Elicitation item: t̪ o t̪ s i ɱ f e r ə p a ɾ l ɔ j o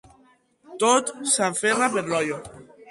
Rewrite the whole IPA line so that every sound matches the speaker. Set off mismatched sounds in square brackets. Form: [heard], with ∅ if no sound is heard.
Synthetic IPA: t̪ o t̪ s [a] ɱ f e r [a] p [e] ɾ l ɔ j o